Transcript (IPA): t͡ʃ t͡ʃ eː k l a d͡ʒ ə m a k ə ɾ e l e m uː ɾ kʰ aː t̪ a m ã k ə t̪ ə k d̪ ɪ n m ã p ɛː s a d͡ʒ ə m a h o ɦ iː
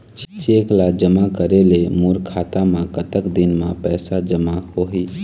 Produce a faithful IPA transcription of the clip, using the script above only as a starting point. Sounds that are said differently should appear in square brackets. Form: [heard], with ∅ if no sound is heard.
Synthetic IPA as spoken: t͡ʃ t͡ʃ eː k l a d͡ʒ ə m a k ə ɾ e l e m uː ɾ kʰ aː t̪ a m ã k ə t̪ ə k d̪ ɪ n m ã p ɛː s a d͡ʒ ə m a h o ɦ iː